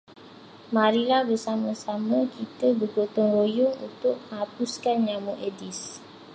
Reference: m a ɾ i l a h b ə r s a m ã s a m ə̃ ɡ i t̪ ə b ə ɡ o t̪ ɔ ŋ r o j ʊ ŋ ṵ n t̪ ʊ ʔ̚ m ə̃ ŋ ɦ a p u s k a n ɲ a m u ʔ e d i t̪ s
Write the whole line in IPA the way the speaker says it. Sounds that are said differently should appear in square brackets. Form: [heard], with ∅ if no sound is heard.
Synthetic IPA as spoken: m a ɾ i l a h b ə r s a m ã s a m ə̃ [k] i t̪ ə b ə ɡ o t̪ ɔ ŋ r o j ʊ ŋ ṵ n t̪ ʊ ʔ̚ m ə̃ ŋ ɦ a p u s k a n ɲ a m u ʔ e d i [∅] s